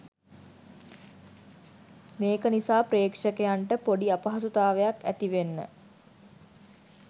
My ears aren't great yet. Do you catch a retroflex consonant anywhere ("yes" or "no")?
yes